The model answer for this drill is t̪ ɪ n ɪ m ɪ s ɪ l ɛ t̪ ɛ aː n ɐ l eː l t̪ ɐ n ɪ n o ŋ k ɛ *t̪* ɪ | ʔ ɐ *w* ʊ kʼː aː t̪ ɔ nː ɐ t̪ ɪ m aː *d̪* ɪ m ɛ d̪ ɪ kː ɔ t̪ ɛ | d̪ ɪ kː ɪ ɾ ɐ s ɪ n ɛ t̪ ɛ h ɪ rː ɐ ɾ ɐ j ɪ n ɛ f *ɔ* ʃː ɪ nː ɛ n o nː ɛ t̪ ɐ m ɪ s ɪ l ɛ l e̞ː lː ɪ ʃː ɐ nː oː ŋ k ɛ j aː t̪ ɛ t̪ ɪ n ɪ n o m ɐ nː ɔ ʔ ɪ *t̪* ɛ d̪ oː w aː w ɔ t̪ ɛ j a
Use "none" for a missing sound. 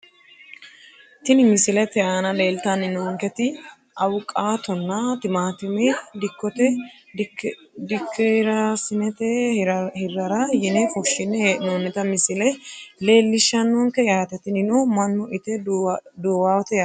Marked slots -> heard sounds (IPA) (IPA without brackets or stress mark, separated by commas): t̪, w, t̪, ɔ, t̪